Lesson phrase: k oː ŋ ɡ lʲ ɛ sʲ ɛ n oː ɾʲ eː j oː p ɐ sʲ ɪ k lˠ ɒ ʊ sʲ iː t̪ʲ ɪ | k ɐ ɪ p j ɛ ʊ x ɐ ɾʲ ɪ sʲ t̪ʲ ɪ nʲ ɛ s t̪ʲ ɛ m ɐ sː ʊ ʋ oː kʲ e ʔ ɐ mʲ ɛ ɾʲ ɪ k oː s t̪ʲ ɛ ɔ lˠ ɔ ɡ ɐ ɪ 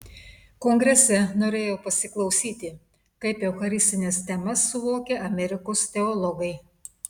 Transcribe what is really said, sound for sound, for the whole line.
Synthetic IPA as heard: k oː ŋ ɡ ɾʲ ɛ sʲ ɛ n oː ɾʲ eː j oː p ɐ sʲ ɪ k lˠ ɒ ʊ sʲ iː t̪ʲ ɪ | k ɐ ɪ p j ɛ ʊ x ɐ ɾʲ ɪ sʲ t̪ʲ ɪ nʲ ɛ s t̪ʲ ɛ m ɐ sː ʊ ʋ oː kʲ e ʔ ɐ mʲ ɛ ɾʲ ɪ k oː s t̪ʲ ɛ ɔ lˠ ɔ ɡ ɐ ɪ

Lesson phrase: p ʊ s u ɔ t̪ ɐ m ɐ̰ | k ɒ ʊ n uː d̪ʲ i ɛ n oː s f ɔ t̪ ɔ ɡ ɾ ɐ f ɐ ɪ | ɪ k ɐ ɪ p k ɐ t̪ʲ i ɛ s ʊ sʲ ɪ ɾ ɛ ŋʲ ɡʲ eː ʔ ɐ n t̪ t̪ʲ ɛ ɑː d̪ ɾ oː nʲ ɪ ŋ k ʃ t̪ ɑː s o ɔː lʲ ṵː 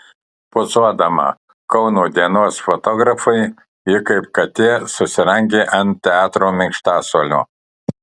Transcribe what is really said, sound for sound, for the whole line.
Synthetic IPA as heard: p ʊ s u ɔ d̪ ɐ m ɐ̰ | k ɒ ʊ n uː d̪ʲ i ɛ n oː s f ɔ t̪ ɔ ɡ ɾ ɐ f ɐ ɪ | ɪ k ɐ ɪ p k ɐ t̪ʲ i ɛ s ʊ sʲ ɪ ɾ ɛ ŋʲ ɡʲ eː ʔ ɐ n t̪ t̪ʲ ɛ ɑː t̪ ɾ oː mʲ ɪ ŋ k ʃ t̪ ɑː s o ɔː lʲ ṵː

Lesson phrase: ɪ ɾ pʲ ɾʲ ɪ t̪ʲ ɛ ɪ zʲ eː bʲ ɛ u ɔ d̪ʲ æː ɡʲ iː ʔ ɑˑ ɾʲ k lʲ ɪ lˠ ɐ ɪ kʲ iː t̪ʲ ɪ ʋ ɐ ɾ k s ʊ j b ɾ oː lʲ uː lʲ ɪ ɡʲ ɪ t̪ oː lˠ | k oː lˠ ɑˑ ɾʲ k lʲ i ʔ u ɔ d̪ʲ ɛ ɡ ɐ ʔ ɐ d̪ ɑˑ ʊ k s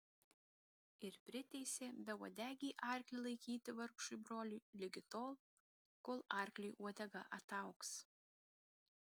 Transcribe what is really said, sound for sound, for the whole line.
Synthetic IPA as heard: ɪ ɾ pʲ ɾʲ ɪ t̪ʲ ɛ ɪ sʲ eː bʲ ɛ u ɔ d̪ʲ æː ɡʲ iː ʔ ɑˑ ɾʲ k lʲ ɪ lˠ ɐ ɪ kʲ iː t̪ʲ ɪ ʋ ɐ ɾ k ʃ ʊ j b ɾ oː lʲ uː lʲ ɪ ɡʲ ɪ t̪ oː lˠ | k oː lˠ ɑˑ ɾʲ k lʲ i ʔ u ɔ d̪ʲ ɛ ɡ ɐ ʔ ɐ t̪ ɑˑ ʊ k s

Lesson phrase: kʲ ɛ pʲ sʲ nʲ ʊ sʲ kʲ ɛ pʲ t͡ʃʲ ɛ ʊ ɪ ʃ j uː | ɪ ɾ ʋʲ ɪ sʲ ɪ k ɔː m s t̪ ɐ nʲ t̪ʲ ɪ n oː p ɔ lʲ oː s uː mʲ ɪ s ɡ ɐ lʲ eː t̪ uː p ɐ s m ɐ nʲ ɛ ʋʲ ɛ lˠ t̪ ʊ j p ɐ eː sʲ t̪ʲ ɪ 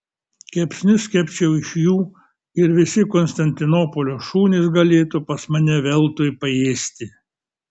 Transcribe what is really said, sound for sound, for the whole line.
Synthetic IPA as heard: kʲ ɛ pʲ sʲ nʲ ʊ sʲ kʲ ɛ pʲ t͡ʃʲ ɛ ʊ ɪ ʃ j uː | ɪ ɾ ʋʲ ɪ sʲ ɪ k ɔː n s t̪ ɐ nʲ t̪ʲ ɪ n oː p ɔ lʲ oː ʃ uː nʲ ɪ s ɡ ɐ lʲ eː t̪ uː p ɐ s m ɐ nʲ ɛ ʋʲ ɛ lˠ t̪ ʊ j p ɐ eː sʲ t̪ʲ ɪ

